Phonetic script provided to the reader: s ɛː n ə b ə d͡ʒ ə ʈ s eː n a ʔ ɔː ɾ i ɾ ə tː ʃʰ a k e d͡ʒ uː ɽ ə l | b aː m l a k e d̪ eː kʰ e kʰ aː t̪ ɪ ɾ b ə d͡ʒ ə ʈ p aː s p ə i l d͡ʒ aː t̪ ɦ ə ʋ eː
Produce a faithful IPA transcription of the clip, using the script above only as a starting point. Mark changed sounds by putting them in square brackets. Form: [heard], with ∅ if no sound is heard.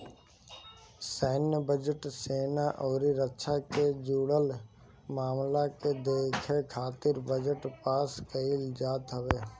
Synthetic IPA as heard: s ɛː n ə b ə d͡ʒ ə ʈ s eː n a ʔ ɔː ɾ i ɾ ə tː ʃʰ a k e d͡ʒ uː ɽ ə l | [m] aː m l a k e d̪ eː kʰ e kʰ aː t̪ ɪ ɾ b ə d͡ʒ ə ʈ p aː s [k] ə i l d͡ʒ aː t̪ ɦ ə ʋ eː